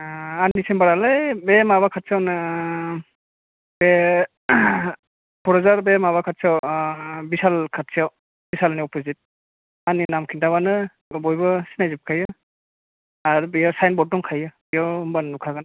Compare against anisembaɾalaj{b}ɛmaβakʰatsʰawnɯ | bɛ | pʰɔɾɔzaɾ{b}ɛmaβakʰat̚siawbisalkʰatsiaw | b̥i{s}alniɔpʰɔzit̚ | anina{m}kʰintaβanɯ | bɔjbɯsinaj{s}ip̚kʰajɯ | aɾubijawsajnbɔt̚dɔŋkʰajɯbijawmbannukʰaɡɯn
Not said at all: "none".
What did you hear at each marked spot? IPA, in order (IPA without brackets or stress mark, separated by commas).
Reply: b, b, s, m, z